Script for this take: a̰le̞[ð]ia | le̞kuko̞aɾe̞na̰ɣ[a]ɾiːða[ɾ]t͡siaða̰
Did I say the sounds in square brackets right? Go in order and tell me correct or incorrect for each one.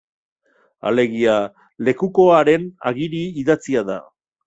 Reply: incorrect: ɣ, incorrect: i, incorrect: none

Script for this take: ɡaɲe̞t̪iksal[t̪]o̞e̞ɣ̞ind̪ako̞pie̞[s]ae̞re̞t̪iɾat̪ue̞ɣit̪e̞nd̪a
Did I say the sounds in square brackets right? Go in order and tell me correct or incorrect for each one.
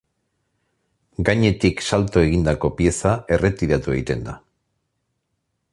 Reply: correct, correct

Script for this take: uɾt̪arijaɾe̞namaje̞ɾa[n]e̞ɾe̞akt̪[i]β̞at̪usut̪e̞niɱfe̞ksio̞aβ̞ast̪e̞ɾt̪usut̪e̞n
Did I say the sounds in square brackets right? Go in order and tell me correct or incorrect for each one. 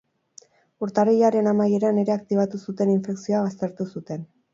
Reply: correct, correct

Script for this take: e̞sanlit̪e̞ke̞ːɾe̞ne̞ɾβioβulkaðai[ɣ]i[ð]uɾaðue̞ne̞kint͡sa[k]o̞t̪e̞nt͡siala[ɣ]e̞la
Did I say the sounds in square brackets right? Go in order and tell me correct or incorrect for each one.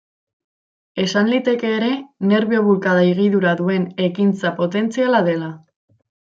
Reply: correct, correct, incorrect: p, incorrect: ð

